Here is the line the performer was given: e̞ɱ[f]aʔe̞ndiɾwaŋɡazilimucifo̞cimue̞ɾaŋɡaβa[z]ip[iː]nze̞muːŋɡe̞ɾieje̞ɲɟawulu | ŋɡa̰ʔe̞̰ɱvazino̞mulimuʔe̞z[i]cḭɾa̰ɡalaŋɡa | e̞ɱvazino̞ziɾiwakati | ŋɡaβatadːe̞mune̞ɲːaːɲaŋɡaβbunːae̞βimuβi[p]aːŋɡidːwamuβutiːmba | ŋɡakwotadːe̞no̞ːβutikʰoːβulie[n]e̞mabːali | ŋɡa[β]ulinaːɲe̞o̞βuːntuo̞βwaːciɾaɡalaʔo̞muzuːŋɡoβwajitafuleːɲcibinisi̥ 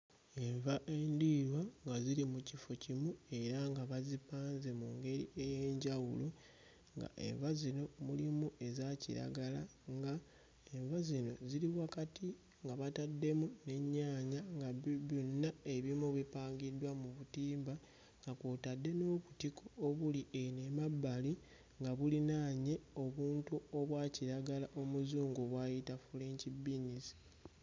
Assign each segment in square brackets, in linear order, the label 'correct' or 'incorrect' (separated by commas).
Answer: incorrect, correct, incorrect, incorrect, correct, correct, correct